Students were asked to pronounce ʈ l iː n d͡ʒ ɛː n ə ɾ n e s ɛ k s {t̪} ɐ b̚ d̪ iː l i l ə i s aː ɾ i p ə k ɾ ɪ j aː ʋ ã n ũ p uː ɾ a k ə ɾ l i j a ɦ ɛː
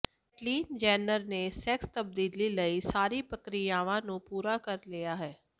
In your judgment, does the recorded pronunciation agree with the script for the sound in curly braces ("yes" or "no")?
yes